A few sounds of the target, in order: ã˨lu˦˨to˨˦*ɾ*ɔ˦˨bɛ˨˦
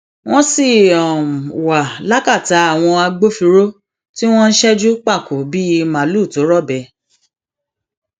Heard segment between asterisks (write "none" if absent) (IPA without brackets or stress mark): ɾ